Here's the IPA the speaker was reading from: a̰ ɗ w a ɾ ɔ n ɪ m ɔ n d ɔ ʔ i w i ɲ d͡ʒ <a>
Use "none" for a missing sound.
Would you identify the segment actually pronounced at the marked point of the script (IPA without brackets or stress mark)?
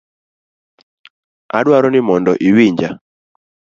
a